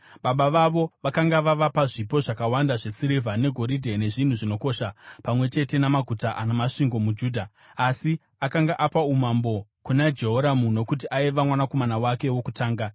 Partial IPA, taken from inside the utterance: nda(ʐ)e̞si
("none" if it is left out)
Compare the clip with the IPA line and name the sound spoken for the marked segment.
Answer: ʐ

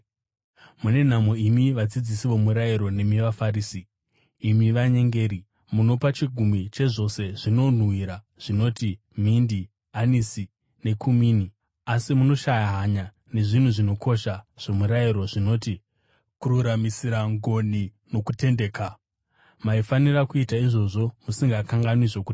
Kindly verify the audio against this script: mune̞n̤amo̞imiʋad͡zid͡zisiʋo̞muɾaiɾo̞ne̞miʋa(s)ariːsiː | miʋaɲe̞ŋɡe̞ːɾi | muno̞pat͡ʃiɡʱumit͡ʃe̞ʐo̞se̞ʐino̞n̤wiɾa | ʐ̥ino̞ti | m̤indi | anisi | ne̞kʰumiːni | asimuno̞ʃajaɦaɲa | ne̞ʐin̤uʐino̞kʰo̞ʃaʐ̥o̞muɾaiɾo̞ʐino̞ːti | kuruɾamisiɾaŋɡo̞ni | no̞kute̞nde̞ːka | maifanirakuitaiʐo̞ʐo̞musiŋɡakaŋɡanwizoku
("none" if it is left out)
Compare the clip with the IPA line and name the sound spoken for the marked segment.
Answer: f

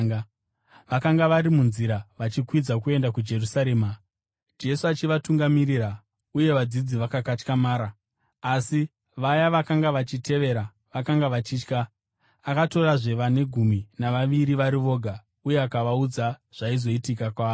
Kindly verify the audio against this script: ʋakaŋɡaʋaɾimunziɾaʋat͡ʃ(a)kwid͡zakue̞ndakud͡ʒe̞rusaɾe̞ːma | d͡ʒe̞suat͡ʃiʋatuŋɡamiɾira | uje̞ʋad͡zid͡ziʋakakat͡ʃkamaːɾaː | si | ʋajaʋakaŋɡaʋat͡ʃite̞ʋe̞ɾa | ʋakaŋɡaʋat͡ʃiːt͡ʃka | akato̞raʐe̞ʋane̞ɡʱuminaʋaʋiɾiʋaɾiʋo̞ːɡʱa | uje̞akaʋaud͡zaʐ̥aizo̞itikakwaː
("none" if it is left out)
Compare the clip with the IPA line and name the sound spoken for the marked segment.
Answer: i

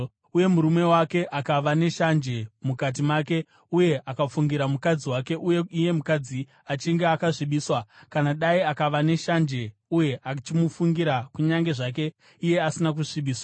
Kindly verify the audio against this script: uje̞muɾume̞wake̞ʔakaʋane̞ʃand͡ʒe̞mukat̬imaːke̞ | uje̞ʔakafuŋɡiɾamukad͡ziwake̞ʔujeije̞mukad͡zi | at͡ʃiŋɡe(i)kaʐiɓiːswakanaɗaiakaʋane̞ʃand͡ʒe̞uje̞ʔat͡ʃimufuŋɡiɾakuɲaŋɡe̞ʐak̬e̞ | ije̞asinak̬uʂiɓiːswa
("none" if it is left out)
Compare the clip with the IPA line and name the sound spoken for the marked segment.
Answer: a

